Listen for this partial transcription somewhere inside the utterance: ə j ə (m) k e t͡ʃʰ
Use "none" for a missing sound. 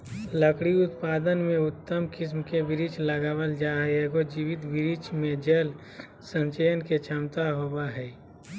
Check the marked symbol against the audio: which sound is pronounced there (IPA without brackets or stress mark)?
n